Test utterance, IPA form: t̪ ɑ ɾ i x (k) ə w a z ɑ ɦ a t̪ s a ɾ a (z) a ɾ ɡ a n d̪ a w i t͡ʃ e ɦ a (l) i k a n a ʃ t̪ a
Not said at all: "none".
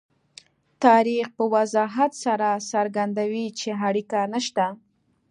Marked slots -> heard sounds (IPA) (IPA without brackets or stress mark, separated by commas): p, s, ɽ